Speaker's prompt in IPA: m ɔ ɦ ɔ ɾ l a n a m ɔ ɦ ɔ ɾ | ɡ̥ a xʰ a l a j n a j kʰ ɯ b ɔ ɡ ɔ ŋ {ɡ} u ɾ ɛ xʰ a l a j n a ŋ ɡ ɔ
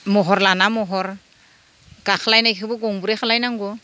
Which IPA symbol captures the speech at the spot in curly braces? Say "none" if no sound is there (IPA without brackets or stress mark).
b